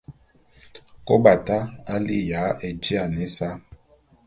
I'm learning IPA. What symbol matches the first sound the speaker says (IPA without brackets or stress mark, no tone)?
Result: k